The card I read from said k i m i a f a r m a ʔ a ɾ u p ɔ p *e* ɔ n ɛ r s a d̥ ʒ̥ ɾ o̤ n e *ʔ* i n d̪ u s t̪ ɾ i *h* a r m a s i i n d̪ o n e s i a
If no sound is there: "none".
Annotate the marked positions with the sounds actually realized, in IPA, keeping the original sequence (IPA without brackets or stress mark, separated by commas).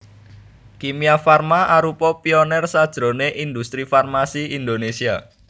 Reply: i, ʔ, f